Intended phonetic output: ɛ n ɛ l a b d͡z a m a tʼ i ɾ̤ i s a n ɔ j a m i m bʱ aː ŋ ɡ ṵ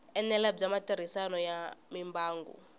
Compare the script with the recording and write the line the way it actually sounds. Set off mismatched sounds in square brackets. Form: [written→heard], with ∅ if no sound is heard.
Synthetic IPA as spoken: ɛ n ɛ l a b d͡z a m a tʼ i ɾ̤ i s a n ɔ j a m i m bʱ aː ŋ ɡ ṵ